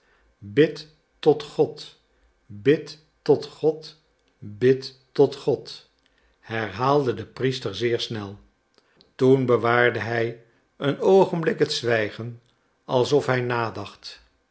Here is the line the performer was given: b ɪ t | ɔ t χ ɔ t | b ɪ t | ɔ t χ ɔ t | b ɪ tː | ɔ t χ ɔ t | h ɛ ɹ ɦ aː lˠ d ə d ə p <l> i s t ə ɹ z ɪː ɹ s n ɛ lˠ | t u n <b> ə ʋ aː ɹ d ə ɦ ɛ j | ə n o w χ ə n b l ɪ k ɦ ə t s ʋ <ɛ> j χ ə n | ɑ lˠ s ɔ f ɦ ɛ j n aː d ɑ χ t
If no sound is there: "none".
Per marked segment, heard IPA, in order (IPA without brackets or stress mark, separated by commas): r, b, ɛ